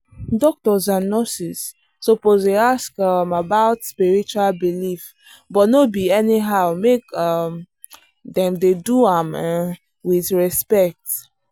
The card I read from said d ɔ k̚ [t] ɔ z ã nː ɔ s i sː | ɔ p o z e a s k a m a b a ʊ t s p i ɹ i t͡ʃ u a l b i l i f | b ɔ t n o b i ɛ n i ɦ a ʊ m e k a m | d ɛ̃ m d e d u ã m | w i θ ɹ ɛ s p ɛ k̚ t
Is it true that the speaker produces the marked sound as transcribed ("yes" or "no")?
yes